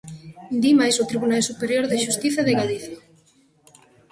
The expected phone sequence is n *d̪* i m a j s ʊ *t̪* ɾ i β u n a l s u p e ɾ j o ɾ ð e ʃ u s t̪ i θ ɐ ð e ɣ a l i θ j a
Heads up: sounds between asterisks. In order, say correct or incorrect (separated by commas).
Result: correct, correct